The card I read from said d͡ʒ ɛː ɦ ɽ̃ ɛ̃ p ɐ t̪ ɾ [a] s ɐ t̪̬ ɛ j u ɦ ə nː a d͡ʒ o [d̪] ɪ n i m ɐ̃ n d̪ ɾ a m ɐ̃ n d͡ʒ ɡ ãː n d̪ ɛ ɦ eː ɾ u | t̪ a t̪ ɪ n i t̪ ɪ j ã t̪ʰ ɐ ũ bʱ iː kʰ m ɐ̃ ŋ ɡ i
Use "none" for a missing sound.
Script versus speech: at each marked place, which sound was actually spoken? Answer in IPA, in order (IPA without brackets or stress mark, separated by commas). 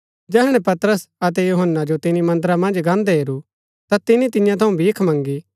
ə, t̪